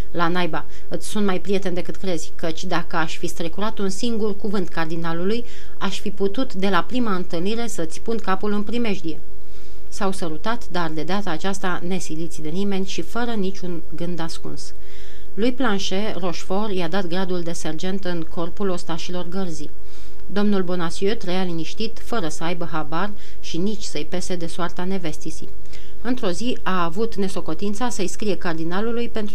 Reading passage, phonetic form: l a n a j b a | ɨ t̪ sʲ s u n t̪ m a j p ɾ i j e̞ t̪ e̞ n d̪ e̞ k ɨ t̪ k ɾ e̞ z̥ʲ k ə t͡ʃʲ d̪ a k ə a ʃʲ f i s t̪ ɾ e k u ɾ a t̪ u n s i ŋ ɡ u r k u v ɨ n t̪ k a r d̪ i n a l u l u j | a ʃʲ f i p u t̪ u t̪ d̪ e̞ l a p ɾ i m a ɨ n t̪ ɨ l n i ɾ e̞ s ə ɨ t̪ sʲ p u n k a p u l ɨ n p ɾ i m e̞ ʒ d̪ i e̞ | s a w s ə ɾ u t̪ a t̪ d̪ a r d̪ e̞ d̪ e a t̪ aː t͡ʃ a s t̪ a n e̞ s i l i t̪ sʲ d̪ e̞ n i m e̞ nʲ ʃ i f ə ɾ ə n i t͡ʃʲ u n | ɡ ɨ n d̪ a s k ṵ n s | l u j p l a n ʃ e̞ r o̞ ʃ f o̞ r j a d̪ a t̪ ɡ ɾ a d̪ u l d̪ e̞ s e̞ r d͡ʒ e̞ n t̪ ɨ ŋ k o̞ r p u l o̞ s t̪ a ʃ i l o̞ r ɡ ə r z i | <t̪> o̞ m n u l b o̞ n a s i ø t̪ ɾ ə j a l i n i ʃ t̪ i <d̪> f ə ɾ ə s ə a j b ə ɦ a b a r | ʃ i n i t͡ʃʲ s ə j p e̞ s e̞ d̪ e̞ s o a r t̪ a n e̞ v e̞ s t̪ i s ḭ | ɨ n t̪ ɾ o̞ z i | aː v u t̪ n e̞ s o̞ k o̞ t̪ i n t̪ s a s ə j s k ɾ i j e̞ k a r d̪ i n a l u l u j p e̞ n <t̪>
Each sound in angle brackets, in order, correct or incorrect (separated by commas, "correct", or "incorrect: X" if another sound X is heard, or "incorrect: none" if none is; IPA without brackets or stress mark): incorrect: d̪, incorrect: t̪, correct